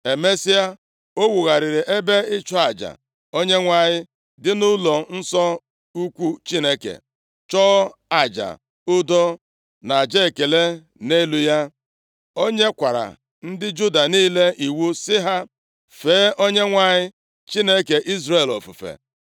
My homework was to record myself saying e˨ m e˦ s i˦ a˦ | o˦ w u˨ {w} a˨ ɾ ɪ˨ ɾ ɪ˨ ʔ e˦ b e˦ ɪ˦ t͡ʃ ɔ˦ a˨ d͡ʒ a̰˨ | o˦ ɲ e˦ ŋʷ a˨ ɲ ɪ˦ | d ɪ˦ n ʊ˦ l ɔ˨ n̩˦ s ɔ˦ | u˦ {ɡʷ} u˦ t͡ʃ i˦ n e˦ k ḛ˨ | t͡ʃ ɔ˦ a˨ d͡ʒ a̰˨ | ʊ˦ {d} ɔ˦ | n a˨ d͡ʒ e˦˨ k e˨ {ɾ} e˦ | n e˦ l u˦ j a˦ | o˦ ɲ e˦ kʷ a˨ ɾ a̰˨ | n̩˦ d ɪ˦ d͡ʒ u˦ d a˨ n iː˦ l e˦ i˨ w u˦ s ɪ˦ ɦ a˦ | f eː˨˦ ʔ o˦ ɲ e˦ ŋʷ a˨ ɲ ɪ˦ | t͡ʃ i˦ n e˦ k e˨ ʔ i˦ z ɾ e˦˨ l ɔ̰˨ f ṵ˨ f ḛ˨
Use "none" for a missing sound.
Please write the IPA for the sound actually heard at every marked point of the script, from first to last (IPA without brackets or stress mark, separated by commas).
ɣ, kʷ, d, l